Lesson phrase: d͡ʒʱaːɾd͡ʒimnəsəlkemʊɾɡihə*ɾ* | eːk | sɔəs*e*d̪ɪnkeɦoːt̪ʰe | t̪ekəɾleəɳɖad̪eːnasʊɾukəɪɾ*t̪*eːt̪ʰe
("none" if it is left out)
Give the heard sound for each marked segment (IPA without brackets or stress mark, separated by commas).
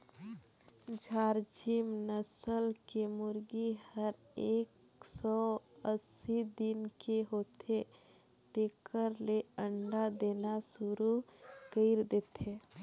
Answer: ɾ, i, d̪